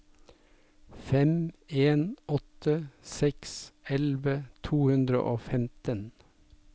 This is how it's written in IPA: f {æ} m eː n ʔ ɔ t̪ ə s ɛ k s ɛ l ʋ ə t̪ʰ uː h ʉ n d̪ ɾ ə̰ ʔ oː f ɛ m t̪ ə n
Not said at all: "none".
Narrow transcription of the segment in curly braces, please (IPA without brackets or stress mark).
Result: ɛ